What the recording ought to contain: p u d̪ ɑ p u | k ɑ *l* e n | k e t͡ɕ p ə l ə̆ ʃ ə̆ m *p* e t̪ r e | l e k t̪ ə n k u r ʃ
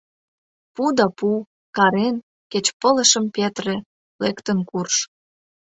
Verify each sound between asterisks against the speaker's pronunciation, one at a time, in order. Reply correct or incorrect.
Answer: incorrect: ɾ, correct

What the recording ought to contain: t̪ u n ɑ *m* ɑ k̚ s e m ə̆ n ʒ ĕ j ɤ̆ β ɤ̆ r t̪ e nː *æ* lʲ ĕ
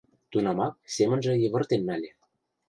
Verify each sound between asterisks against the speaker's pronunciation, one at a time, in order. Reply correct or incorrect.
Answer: correct, correct

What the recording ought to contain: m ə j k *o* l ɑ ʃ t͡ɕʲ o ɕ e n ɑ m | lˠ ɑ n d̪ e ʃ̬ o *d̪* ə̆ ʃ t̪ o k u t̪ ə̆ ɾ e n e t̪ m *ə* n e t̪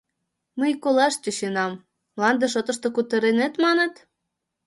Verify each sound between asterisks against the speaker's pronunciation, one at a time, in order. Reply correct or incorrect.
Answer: correct, incorrect: t̪, incorrect: ɑ

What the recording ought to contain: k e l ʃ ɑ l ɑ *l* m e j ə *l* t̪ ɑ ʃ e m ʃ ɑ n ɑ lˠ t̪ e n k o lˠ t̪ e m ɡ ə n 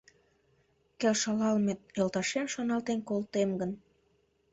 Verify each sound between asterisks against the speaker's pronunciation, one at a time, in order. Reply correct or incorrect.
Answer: correct, correct

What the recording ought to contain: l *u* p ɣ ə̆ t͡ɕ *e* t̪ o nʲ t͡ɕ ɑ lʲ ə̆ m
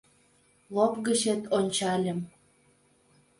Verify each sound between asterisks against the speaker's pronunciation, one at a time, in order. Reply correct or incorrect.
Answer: incorrect: o, correct

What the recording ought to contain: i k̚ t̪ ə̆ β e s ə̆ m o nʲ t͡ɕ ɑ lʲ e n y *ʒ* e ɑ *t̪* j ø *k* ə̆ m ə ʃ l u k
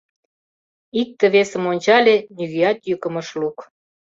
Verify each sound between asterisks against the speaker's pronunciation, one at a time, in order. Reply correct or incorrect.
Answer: incorrect: ɣ, correct, correct

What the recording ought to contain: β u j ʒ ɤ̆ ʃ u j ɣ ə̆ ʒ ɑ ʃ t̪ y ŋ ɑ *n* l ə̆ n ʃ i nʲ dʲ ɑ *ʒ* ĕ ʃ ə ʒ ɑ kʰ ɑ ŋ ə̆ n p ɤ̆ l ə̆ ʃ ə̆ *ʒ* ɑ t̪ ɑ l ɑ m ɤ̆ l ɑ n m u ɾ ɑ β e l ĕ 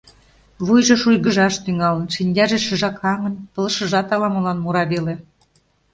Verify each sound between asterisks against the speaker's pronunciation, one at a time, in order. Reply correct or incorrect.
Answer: incorrect: none, correct, correct

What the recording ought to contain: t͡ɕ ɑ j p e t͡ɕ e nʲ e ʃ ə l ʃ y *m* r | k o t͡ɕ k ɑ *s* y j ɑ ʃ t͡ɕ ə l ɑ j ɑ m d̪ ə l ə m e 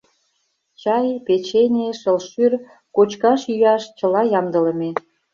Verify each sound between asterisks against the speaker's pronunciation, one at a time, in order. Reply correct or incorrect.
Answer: incorrect: none, incorrect: ʃ

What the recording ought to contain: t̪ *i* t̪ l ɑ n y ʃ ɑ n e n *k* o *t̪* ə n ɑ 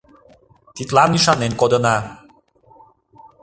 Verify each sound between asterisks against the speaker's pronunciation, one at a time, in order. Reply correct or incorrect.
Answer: correct, correct, incorrect: d̪

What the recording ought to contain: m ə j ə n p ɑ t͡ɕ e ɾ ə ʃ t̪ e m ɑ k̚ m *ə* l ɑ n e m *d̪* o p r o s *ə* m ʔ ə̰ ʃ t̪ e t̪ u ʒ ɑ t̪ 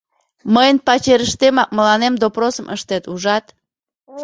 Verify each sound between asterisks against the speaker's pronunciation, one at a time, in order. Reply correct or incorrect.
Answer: correct, correct, correct

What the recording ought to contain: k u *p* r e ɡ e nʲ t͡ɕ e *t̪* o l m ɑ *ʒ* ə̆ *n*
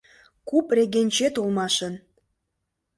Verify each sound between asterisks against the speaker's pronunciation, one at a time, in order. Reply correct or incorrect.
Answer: correct, correct, incorrect: ʃ, correct

